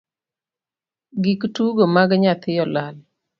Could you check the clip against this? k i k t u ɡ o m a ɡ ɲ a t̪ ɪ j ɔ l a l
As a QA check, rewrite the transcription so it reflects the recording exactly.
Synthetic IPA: ɡ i k t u ɡ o m a ɡ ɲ a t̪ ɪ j ɔ l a l